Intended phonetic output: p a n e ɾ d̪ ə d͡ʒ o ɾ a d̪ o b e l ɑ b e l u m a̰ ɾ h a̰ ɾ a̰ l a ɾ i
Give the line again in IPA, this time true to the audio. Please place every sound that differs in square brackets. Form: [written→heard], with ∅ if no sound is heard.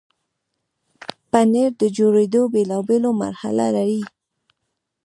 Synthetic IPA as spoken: p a n e ɾ d̪ ə d͡ʒ o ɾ [a→e] d̪ o b e l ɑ b e l [u→o] m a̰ ɾ h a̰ [ɾ→l] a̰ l a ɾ i